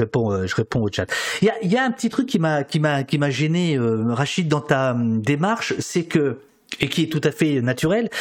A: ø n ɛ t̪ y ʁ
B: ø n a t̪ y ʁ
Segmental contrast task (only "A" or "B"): B